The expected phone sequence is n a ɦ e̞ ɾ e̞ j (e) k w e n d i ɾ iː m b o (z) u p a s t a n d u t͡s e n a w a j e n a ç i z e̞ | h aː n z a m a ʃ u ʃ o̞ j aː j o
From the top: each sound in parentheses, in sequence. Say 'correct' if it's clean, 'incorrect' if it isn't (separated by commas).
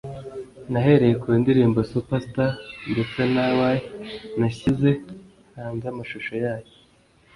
correct, incorrect